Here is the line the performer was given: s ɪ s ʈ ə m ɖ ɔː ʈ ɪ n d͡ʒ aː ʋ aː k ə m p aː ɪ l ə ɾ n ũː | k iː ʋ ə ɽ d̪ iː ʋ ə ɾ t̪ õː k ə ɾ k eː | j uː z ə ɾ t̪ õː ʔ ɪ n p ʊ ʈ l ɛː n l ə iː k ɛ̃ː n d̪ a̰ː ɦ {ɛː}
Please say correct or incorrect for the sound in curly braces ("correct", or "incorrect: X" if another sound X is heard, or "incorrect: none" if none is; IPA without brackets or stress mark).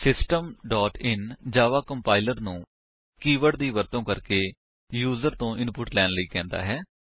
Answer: correct